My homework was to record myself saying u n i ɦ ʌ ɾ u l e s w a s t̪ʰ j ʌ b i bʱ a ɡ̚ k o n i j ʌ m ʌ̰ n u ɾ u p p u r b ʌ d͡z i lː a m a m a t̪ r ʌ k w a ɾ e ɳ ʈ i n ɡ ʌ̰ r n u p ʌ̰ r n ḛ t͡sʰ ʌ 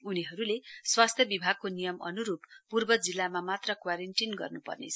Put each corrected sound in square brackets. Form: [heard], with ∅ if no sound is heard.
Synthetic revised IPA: u n i ɦ ʌ ɾ u l e s w a s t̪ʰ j ʌ b i bʱ a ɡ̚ k o n i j ʌ m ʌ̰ n u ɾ u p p u r b ʌ d͡z i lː a m a m a t̪ r ʌ k w a ɾ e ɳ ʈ i n ɡ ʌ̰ r n u p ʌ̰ r n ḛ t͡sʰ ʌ

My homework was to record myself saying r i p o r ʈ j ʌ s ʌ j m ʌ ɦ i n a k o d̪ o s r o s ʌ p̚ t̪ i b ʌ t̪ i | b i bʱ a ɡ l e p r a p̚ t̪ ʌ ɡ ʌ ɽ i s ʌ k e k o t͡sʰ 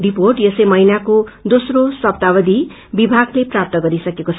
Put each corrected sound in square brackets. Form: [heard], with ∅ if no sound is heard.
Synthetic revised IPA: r i p o r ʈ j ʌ s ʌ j m ʌ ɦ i n a k o d̪ o s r o s ʌ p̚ t̪ [a] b ʌ [d̪] i | b i bʱ a ɡ l e p r a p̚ t̪ ʌ ɡ ʌ [ɾ] i s ʌ k e k o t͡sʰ

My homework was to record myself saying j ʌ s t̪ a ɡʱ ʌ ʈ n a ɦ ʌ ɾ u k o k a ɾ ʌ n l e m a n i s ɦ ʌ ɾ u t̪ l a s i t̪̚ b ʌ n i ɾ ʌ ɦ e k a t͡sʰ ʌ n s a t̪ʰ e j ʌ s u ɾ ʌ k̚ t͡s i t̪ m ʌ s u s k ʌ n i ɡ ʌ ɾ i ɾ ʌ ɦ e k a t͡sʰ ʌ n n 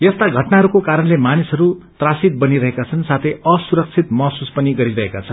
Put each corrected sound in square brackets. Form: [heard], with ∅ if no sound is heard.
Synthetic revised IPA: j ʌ s t̪ a ɡʱ ʌ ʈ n a ɦ ʌ ɾ u k o k a ɾ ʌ n l e m a n i s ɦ ʌ ɾ u t̪ [r] a s i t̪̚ b ʌ n i ɾ ʌ ɦ e k a t͡sʰ ʌ n s a t̪ʰ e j ʌ s u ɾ ʌ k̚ [t͡sʰ] i t̪ m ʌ s u s [p] ʌ n i ɡ ʌ ɾ i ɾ ʌ ɦ e k a t͡sʰ ʌ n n

